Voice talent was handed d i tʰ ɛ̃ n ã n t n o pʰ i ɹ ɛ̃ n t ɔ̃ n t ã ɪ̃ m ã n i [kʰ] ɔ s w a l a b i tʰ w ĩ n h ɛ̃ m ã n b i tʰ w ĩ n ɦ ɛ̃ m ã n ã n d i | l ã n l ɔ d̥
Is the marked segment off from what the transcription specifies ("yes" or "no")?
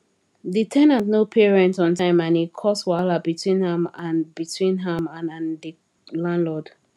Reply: no